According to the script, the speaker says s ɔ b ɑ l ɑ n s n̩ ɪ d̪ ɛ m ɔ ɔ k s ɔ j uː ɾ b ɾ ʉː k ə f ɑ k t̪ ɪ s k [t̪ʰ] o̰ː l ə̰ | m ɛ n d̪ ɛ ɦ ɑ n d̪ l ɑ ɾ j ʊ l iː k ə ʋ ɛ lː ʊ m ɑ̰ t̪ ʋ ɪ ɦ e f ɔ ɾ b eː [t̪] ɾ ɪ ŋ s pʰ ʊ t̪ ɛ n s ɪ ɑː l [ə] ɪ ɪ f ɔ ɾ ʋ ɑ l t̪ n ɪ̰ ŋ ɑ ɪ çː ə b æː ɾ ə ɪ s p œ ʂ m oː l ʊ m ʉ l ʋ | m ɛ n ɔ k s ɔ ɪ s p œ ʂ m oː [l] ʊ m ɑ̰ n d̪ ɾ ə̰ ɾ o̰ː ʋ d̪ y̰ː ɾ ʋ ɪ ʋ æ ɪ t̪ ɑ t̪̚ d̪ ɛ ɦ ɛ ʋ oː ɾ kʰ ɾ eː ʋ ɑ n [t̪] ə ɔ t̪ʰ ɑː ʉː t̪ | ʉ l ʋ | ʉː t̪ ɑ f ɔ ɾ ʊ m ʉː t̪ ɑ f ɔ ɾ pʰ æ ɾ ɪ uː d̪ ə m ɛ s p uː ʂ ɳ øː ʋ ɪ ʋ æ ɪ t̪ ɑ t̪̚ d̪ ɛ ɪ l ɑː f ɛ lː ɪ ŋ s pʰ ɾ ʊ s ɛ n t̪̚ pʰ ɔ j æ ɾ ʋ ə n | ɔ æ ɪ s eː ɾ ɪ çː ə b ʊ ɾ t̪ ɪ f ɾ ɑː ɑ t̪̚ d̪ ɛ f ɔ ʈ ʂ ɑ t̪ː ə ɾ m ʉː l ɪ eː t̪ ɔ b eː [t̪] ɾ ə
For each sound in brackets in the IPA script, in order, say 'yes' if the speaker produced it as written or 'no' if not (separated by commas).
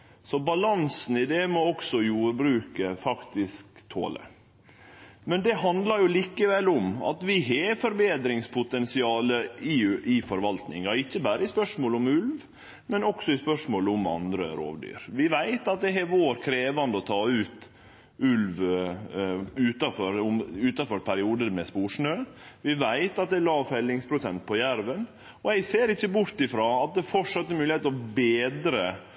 yes, no, yes, yes, no, no